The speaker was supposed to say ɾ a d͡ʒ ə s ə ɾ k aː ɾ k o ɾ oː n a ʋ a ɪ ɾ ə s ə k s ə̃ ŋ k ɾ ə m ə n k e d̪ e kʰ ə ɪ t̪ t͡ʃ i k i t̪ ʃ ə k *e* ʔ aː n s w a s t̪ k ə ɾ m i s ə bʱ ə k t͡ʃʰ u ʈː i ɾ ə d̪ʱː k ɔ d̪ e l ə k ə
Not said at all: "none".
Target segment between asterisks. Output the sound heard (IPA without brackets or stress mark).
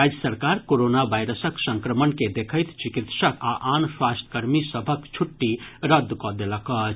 a